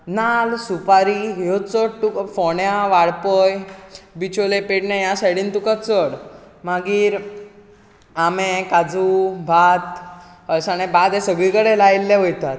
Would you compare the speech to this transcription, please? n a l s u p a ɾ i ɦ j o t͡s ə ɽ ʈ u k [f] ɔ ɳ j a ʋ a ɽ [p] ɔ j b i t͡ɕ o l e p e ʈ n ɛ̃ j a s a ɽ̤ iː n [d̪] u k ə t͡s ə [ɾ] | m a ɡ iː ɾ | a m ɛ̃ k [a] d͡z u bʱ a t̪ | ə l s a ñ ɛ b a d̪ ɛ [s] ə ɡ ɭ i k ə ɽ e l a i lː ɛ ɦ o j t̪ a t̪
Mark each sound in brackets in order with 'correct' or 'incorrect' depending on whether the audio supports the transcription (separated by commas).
correct, correct, incorrect, incorrect, correct, correct